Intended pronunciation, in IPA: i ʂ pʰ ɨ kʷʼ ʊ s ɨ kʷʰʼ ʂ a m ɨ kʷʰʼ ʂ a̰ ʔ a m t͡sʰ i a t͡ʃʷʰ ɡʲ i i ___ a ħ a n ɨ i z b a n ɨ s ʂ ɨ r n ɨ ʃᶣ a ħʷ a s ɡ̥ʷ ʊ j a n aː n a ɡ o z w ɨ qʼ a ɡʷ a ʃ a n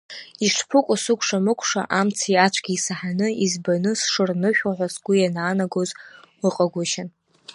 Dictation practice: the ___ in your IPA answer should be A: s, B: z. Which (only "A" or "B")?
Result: A